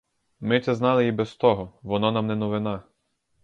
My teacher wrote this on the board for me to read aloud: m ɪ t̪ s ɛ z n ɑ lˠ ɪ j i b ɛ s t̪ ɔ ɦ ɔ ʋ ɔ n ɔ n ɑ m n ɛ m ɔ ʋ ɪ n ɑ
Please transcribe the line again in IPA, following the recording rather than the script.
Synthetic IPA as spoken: m ɪ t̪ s ɛ z n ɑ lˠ ɪ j i b ɛ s t̪ ɔ ɦ ɔ ʋ ɔ n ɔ n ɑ m n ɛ n ɔ ʋ ɪ n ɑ